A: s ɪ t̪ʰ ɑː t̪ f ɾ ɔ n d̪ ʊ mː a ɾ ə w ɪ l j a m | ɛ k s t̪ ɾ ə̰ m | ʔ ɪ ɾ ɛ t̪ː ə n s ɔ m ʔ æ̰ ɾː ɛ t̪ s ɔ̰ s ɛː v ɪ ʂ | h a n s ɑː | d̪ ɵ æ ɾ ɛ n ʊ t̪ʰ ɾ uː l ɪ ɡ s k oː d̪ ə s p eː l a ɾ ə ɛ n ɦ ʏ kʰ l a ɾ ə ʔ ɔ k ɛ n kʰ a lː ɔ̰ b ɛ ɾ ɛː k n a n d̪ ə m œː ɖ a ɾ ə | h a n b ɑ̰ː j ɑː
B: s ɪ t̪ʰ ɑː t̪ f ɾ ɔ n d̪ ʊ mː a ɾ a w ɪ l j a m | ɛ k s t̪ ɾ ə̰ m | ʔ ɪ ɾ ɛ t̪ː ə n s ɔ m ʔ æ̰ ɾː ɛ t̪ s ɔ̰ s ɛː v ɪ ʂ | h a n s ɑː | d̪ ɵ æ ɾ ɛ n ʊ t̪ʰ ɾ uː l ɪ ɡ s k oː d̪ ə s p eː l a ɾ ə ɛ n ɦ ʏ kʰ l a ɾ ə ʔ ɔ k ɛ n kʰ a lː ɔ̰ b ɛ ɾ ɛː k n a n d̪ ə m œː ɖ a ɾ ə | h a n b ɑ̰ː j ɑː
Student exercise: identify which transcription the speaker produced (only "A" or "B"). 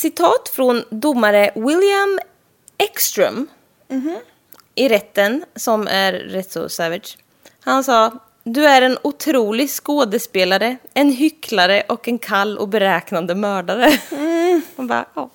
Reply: A